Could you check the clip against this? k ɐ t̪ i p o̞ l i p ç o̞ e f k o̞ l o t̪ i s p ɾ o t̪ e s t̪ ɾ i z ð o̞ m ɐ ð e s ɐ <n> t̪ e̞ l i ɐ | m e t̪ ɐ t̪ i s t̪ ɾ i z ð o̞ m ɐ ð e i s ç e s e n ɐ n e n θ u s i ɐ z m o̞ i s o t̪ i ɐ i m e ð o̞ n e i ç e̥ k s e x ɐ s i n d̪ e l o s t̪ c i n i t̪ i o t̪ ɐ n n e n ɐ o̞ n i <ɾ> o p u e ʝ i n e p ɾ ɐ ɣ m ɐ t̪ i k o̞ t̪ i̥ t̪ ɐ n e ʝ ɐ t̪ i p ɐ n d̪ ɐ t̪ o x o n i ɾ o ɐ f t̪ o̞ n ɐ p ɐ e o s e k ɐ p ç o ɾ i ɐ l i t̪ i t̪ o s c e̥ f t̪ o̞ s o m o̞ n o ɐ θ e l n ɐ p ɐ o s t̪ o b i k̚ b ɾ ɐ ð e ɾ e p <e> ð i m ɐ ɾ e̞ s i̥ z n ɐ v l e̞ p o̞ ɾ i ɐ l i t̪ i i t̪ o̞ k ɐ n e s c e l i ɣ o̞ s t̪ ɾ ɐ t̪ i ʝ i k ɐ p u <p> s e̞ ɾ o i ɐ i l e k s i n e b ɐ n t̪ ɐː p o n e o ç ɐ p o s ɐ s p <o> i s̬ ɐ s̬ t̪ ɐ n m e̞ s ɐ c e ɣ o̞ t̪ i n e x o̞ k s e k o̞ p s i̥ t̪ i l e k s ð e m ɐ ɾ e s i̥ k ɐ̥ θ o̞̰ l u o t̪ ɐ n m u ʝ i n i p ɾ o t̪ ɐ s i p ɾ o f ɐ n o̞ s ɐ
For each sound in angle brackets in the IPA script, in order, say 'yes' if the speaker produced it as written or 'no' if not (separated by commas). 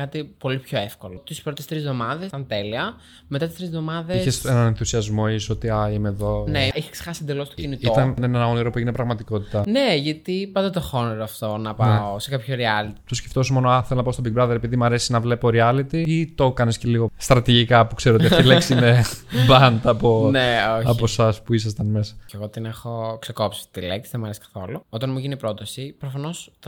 yes, yes, no, no, no